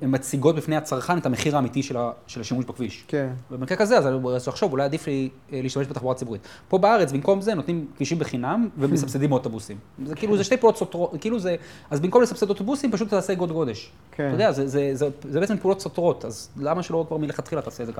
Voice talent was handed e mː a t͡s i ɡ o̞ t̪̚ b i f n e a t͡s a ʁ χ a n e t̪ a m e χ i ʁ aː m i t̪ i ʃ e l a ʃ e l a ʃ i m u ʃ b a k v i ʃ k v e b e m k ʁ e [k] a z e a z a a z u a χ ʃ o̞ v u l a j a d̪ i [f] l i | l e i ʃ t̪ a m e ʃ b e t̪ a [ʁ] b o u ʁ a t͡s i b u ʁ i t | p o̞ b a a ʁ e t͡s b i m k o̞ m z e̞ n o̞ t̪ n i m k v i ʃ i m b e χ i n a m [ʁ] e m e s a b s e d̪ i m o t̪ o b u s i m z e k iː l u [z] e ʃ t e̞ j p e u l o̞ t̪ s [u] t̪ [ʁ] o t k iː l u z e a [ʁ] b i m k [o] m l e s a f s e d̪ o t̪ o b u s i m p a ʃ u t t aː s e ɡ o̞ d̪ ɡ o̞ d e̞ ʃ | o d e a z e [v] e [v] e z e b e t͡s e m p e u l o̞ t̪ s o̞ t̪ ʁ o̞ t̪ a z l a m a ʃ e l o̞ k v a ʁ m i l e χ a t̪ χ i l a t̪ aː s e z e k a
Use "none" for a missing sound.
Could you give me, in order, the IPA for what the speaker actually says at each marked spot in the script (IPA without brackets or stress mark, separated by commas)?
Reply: k, f, χ, v, z, o, ʁ, z, o, z, z